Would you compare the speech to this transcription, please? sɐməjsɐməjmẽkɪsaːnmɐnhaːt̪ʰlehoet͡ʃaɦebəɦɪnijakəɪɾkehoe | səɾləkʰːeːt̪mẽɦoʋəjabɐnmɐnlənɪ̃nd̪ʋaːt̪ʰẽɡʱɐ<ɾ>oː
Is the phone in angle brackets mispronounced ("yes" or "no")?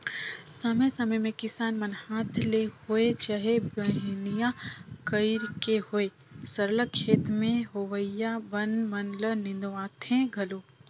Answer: yes